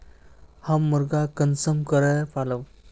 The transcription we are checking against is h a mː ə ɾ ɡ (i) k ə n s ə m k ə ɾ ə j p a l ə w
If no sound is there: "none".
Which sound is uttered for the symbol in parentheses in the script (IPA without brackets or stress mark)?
a